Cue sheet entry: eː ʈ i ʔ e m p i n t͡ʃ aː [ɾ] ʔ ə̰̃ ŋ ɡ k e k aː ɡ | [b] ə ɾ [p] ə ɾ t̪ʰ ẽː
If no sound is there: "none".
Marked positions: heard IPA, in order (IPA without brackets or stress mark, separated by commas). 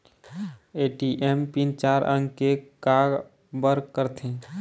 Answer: ɾ, b, k